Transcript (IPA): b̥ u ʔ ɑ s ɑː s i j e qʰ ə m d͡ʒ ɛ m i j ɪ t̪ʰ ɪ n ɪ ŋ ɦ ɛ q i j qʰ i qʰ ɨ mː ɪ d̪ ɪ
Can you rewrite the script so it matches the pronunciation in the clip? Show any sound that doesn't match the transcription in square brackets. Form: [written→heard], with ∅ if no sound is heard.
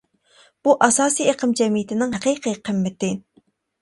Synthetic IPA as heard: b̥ u ʔ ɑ s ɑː s i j e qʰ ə m d͡ʒ ɛ m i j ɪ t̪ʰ ɪ n ɪ ŋ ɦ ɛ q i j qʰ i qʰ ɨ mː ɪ [d̪→t̪] ɪ